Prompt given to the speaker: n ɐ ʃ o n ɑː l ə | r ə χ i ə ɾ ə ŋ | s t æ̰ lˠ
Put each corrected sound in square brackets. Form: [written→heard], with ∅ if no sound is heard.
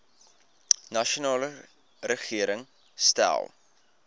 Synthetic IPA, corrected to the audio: n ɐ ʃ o n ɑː l ə | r ə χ i ə ɾ ə ŋ | s t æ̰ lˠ